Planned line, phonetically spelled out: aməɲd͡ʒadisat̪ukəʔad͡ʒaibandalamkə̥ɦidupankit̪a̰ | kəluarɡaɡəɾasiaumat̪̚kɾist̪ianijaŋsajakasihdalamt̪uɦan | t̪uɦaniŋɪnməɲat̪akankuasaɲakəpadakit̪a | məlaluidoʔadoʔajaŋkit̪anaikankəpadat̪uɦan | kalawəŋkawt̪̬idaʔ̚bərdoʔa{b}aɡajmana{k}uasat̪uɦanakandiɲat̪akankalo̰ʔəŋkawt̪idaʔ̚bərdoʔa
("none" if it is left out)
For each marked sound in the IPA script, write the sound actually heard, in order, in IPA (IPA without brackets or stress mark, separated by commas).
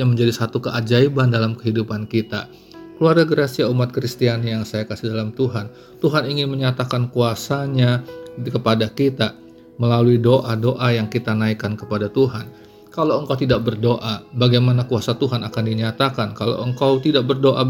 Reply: b, k